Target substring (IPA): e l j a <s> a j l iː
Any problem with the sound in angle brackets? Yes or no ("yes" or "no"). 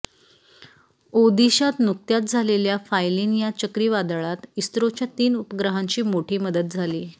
yes